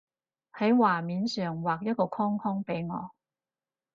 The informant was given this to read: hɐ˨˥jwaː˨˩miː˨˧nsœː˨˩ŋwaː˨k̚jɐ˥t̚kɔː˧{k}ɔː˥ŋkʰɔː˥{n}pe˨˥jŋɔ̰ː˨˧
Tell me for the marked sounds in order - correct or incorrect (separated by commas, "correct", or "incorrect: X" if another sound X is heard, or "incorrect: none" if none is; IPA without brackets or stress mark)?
incorrect: kʰ, incorrect: ŋ